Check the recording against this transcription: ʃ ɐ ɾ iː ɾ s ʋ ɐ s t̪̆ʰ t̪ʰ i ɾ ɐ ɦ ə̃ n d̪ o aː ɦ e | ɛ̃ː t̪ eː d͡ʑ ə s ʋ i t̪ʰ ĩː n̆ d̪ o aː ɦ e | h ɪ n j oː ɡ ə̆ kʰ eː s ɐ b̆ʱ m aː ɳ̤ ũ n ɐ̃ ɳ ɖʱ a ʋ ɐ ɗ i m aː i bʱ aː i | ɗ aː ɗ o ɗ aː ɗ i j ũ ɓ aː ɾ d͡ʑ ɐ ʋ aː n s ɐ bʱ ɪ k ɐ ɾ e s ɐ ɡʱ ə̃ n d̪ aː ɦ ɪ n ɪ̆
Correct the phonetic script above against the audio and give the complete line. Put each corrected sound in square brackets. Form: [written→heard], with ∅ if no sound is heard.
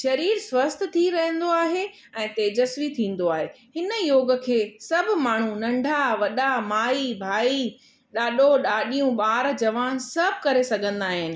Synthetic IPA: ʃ ɐ ɾ iː ɾ s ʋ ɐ s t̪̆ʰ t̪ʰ i ɾ ɐ ɦ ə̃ n d̪ o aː ɦ e | ɛ̃ː t̪ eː d͡ʑ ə s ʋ i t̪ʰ ĩː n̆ d̪ o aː ɦ e | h ɪ n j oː ɡ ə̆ kʰ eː s ɐ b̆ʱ m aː ɳ̤ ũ n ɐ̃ ɳ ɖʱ a ʋ ɐ ɗ [i→a] m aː i bʱ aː i | ɗ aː ɗ o ɗ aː ɗ i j ũ ɓ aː ɾ d͡ʑ ɐ ʋ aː n s ɐ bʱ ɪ k ɐ ɾ e s ɐ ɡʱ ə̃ n d̪ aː ɦ ɪ n ɪ̆